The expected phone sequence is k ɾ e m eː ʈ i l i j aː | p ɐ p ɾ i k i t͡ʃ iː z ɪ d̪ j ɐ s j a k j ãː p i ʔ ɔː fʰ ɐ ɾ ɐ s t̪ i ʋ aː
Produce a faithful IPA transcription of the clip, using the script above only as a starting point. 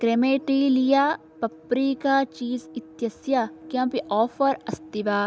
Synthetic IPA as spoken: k ɾ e m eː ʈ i l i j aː | p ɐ p ɾ i k a t͡ʃ iː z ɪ t̪ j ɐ s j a k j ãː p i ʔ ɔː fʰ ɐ ɾ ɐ s t̪ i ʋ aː